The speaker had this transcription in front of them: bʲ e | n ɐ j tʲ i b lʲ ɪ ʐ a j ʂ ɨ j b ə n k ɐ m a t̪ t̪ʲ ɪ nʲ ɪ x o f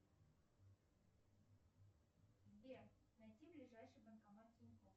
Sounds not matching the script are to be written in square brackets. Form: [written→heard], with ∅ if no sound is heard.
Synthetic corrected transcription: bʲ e | n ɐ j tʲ i b lʲ ɪ ʐ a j ʂ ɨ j b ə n k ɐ m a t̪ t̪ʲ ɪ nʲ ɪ [x→k] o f